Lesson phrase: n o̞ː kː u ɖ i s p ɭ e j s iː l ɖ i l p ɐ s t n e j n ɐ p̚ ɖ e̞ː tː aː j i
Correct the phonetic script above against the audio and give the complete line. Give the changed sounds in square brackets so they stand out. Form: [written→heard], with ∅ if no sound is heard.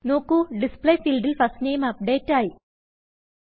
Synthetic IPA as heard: n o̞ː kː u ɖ i s p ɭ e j [s→f] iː l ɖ i l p ɐ s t n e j [n→m] ɐ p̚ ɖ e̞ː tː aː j i